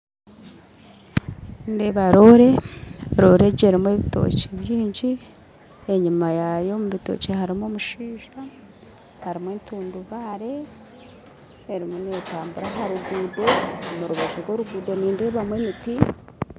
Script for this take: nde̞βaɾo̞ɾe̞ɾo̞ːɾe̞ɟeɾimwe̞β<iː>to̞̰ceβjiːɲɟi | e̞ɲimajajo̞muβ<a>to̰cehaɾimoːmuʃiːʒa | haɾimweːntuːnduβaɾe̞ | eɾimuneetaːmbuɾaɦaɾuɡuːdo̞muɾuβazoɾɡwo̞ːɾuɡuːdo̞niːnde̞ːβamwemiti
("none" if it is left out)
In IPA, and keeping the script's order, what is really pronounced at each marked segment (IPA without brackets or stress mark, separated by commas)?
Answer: i, i